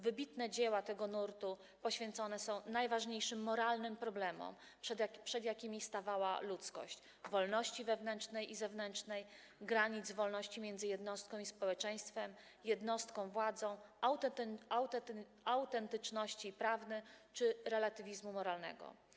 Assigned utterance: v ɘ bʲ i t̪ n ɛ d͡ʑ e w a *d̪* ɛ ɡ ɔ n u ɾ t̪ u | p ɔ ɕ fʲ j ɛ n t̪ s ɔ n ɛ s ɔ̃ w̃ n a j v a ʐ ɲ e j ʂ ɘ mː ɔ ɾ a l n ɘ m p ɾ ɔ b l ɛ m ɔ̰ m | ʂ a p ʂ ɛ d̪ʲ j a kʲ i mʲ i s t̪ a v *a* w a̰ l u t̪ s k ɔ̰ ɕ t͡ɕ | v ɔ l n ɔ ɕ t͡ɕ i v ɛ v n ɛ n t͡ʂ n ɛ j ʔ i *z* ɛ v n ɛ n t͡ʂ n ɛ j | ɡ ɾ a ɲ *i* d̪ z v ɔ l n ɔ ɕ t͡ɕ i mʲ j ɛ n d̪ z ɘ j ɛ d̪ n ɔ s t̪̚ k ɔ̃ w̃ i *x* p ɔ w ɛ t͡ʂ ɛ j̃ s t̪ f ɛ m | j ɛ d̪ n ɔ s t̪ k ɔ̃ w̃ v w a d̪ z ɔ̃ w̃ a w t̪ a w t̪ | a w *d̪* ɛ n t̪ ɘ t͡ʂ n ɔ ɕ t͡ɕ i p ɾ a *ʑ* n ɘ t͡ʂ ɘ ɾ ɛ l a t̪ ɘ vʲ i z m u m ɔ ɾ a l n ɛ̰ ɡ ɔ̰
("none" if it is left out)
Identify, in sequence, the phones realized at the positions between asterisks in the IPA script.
t̪, a, z, i, s, t̪, v

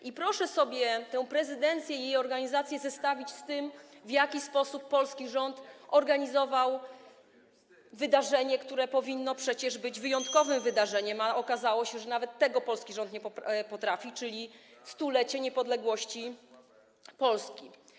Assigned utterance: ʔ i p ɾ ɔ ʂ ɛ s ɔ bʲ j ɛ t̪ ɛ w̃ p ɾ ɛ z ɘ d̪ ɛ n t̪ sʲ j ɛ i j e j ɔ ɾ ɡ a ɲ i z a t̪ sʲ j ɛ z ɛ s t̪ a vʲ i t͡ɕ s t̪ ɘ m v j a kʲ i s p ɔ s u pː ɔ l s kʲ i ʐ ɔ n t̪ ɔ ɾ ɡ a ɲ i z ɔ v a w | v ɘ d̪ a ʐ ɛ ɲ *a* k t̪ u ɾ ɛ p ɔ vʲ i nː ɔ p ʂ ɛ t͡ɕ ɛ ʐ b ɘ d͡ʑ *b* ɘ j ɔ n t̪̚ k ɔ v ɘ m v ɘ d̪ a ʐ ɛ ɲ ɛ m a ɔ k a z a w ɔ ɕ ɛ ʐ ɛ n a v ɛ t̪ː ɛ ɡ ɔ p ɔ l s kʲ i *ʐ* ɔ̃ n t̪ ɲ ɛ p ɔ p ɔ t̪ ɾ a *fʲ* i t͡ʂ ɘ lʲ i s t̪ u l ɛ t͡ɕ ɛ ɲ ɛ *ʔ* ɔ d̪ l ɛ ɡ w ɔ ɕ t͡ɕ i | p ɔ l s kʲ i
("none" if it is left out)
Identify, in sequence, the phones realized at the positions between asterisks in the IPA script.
ɛ, v, ʐ, fʲ, p

